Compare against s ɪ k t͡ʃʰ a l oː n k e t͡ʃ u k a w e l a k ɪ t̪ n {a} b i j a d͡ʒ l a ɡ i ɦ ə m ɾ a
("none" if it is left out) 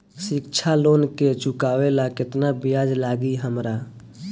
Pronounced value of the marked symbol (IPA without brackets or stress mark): a